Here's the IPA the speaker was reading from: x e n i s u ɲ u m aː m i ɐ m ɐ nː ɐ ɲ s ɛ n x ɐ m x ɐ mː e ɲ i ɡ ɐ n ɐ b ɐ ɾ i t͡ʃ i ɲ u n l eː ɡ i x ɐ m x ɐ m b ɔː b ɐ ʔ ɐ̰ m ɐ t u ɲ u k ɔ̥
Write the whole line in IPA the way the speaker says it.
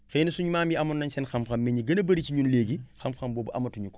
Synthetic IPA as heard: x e n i s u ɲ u m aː m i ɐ m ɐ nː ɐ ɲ s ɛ n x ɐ m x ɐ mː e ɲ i ɡ ɐ n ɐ b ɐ ɾ i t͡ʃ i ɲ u n l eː ɡ i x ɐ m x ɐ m b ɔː b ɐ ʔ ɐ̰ m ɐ t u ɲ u k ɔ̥